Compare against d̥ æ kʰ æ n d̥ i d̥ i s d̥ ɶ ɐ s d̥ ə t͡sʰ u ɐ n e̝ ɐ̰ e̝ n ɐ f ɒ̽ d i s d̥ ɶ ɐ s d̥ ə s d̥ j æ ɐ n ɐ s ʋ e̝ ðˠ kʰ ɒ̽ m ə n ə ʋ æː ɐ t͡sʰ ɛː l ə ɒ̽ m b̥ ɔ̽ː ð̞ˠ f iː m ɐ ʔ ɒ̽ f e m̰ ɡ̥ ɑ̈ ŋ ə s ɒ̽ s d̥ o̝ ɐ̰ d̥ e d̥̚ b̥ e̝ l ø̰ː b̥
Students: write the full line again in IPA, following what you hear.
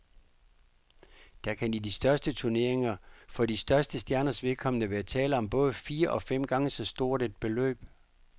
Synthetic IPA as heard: d̥ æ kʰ æ n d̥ i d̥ i s d̥ ɶ ɐ s d̥ ə t͡sʰ u ɐ n e̝ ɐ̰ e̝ ŋ ɐ f ɒ̽ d i s d̥ ɶ ɐ s d̥ ə s d̥ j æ ɐ n ɐ s ʋ e̝ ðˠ kʰ ɒ̽ m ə n ə ʋ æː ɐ t͡sʰ ɛː l ə ɒ̽ m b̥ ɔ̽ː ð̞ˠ f iː ɐ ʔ ɒ̽ f e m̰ ɡ̥ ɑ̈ ŋ ə s ɒ̽ s d̥ o̝ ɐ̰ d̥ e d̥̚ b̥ e̝ l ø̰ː b̥